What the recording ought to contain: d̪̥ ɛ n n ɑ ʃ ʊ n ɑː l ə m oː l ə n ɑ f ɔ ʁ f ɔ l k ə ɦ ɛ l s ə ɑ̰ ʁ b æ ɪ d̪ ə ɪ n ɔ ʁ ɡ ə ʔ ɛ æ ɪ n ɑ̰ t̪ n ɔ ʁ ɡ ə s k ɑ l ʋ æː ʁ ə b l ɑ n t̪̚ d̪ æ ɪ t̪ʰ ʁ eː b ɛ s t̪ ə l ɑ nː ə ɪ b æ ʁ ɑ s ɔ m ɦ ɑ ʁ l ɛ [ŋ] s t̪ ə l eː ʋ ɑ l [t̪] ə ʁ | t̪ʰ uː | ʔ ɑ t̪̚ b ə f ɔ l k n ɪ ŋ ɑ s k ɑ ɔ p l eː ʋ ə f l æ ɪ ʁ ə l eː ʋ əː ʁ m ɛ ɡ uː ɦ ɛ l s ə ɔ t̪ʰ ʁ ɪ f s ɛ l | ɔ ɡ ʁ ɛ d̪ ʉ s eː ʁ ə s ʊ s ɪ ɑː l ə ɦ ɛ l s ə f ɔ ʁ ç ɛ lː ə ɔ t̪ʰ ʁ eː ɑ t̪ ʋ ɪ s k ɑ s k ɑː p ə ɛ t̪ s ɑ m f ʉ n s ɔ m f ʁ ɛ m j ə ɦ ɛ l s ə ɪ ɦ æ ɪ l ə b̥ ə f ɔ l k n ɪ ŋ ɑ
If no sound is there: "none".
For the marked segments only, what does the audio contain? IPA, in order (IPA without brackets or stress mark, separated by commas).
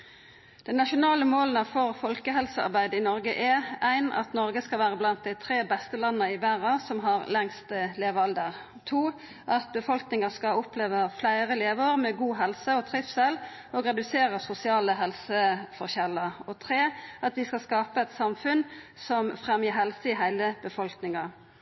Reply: ŋ, d̪